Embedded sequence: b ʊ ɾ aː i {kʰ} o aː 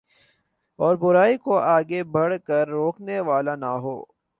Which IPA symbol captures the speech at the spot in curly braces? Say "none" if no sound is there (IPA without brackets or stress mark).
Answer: k